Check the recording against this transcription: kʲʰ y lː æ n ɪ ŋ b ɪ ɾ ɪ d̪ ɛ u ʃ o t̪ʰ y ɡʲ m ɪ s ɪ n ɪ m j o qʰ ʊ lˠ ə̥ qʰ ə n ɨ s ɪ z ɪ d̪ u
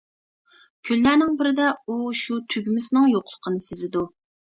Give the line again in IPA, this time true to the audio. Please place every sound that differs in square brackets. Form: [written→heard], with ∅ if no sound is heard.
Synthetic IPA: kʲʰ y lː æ n ɪ ŋ b ɪ ɾ ɪ d̪ ɛ u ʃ [o→u] t̪ʰ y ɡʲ m ɪ s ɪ n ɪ [m→ŋ] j o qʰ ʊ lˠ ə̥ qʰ ə n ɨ s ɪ z ɪ d̪ u